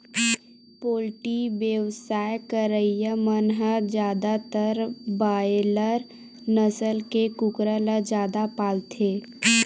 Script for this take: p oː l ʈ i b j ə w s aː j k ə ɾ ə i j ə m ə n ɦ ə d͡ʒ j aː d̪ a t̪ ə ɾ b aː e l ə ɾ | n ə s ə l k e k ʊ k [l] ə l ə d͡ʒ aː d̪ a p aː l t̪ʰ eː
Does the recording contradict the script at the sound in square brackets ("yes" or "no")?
yes